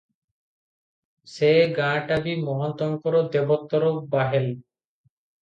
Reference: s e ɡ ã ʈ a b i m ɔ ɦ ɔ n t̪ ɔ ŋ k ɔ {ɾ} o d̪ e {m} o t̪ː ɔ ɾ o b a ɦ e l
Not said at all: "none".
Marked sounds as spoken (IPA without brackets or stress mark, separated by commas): ɾ, b